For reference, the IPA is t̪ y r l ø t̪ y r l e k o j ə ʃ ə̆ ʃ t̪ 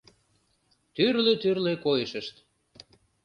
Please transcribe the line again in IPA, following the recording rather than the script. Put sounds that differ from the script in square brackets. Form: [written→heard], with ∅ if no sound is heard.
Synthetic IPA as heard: t̪ y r l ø t̪ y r l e k o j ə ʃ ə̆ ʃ t̪